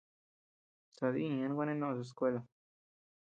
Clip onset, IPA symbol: s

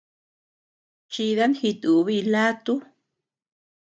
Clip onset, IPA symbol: t͡ʃ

